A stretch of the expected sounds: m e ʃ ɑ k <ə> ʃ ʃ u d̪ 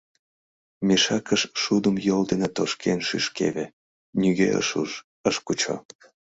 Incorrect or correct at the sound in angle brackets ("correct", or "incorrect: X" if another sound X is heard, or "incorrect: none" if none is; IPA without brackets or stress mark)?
correct